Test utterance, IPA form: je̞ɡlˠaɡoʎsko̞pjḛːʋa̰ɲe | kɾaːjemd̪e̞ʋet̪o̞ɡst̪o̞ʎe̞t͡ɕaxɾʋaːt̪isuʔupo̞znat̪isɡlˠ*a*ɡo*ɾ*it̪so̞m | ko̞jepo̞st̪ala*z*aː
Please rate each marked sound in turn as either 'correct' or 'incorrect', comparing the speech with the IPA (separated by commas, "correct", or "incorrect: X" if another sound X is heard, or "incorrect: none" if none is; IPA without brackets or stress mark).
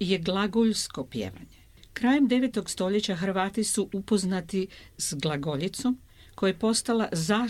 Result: correct, incorrect: ʎ, correct